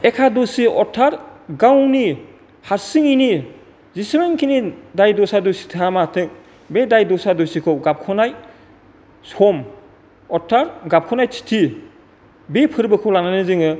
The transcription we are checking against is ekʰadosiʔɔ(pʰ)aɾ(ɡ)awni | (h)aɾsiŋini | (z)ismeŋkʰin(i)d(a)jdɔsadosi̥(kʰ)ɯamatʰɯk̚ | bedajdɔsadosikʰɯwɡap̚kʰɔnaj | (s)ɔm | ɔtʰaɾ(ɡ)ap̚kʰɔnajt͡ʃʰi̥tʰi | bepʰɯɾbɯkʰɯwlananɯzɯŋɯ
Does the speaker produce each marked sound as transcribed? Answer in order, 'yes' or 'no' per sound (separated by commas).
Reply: no, yes, yes, yes, yes, yes, no, yes, yes